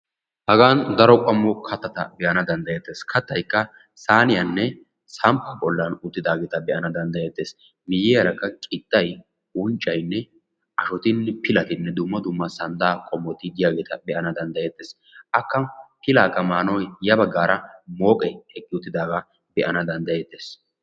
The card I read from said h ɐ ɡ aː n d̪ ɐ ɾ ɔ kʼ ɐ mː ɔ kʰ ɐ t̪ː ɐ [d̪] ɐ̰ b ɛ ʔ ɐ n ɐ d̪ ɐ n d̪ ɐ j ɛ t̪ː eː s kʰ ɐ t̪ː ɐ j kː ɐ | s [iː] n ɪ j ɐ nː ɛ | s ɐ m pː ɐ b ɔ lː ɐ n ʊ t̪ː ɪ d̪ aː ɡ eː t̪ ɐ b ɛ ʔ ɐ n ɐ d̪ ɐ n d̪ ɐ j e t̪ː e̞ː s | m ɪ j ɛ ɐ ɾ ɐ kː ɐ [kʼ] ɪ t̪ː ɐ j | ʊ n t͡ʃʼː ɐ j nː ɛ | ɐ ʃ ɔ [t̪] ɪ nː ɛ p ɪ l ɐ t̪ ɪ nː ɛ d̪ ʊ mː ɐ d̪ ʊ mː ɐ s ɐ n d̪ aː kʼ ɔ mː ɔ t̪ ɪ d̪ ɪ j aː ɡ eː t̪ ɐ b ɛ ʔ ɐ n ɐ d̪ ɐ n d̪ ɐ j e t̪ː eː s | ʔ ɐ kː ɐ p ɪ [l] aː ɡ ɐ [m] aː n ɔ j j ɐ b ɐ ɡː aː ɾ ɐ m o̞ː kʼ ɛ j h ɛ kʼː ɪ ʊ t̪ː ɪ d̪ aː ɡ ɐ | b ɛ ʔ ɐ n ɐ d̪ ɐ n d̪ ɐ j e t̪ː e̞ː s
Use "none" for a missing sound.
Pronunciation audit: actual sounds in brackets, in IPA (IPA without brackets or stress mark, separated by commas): t̪, aː, kʼ, t̪, l, m